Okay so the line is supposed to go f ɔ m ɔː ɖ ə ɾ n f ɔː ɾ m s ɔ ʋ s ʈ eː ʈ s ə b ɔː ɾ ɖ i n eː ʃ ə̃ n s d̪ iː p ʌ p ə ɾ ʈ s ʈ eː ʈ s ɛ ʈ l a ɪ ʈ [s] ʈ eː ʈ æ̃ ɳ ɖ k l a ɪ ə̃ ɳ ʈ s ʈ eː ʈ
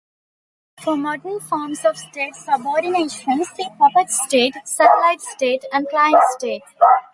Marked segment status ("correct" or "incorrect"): correct